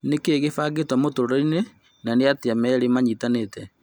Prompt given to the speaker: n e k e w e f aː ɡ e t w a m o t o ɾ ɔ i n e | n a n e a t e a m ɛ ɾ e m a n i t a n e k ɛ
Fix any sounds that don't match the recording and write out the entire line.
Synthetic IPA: n e k e ɣ e f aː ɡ e t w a m o t o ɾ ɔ i n e | n a n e a t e a m ɛ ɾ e m a ɲ i t a n e t ɛ

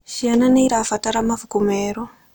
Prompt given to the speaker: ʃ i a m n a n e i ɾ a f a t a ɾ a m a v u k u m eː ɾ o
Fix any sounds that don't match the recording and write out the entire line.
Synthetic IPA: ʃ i a n a n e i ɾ a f a t a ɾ a m a v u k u m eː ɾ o

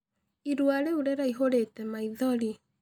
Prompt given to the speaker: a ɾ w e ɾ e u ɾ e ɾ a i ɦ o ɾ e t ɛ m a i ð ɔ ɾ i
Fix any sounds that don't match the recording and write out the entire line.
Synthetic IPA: i ɾ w a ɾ e u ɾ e ɾ a i ɦ o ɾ e t ɛ m a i ð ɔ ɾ i

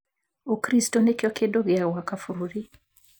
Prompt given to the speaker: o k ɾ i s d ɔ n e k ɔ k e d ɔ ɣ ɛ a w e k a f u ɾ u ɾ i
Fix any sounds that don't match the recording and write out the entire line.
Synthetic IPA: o k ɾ i s t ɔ n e k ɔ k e d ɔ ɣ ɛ a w a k a f u ɾ u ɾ i

